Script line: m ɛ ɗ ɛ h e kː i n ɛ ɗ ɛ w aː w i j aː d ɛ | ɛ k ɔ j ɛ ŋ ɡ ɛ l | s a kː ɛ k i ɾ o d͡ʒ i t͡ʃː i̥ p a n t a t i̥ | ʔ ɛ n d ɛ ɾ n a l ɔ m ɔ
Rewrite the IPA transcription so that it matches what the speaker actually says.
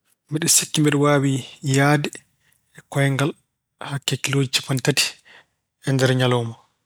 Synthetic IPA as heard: m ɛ ɗ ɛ s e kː i m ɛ ɗ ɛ w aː w i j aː d ɛ | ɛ k ɔ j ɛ ŋ ɡ a l | h a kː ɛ k i l o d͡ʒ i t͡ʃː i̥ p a n t a t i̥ | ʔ ɛ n d ɛ ɾ ɲ a l ɔ m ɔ